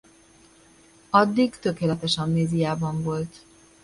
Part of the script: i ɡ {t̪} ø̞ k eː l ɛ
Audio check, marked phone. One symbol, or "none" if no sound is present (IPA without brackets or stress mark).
t̪